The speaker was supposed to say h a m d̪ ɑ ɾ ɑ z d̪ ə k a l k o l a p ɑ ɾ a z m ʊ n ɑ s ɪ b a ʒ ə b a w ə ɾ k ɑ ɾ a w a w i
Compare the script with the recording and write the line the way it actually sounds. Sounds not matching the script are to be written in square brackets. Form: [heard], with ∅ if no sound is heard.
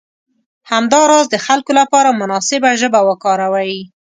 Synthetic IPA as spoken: h a m d̪ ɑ ɾ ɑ z d̪ ə [x] a l k o l a p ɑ ɾ a [∅] m ʊ n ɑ s ɪ b a ʒ ə b a w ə [∅] k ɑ ɾ a w a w i